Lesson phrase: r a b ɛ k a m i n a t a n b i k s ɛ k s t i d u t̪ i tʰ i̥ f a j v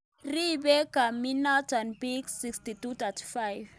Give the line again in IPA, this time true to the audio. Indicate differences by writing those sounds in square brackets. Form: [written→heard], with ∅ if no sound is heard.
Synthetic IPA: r [a→i] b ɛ k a m i n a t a n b i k s [ɛ→i] k s t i [d→t] u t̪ [i→a] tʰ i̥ f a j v